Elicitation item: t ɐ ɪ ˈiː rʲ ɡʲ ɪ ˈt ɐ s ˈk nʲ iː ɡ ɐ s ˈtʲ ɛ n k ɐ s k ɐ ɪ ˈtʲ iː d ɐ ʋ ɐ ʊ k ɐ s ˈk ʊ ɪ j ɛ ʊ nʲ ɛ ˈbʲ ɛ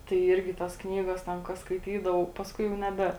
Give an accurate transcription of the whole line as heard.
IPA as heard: t ɐ ɪ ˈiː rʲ ɡʲ ɪ ˈt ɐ s ˈk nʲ iː ɡ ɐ s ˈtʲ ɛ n k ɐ s k ɐ ɪ ˈtʲ iː d ɐ ʋ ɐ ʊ p ɐ s ˈk ʊ ɪ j ɛ ʊ nʲ ɛ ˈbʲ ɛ